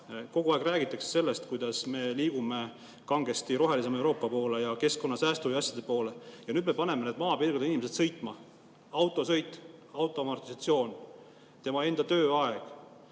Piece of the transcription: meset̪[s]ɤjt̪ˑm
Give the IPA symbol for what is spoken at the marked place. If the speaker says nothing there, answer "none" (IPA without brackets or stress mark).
s